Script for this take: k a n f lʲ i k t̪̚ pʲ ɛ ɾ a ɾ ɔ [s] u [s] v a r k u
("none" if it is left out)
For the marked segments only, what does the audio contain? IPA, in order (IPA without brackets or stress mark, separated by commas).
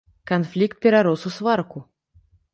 s, s